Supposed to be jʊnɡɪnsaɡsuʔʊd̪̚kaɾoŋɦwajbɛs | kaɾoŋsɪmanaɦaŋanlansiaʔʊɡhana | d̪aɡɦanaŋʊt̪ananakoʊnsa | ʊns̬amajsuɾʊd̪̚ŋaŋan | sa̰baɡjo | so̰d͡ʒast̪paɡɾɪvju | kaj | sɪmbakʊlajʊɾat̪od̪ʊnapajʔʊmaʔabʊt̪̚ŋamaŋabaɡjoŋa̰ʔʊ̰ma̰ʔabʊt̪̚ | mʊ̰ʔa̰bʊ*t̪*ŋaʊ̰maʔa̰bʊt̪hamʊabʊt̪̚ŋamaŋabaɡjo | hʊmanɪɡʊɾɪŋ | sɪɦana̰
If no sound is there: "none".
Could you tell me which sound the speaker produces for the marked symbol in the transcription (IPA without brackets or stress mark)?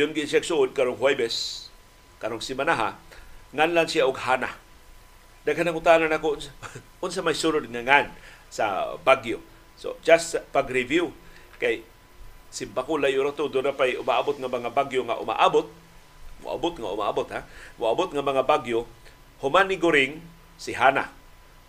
t̪